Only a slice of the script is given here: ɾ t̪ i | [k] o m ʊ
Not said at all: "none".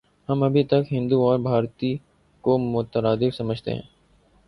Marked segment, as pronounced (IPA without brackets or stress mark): k